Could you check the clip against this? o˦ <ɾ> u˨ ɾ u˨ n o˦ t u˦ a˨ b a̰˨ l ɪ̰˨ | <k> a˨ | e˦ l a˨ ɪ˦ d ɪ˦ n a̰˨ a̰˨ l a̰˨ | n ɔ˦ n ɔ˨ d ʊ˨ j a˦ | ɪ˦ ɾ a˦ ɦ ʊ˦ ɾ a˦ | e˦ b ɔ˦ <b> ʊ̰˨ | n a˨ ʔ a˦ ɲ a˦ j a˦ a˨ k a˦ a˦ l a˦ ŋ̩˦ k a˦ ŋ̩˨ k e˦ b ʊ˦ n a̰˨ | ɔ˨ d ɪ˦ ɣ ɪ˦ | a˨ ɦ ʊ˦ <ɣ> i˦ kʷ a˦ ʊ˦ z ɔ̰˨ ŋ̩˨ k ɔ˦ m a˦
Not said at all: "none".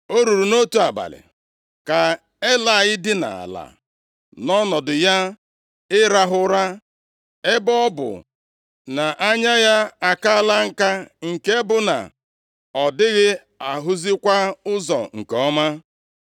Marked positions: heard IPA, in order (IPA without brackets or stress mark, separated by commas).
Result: ɾ, k, b, z